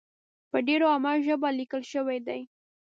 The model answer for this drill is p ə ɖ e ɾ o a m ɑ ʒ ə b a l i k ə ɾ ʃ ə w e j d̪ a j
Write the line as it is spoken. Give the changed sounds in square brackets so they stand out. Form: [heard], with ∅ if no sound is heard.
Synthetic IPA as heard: p ə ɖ e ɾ o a m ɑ ʒ ə b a l i k ə [l] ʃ ə w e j d̪ a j